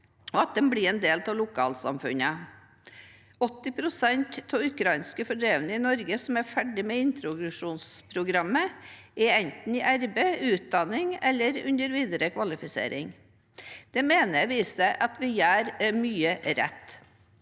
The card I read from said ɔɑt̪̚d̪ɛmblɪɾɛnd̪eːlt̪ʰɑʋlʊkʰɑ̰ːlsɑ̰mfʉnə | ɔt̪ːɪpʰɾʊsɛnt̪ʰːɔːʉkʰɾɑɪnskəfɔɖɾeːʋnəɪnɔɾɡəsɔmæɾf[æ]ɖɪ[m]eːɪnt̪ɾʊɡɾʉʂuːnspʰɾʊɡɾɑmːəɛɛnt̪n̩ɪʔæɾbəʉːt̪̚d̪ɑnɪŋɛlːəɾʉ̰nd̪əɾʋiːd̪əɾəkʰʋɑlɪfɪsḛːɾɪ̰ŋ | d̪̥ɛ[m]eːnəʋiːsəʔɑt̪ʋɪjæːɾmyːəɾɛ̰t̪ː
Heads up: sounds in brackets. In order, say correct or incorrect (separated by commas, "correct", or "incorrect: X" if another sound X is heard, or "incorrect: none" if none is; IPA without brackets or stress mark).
correct, correct, correct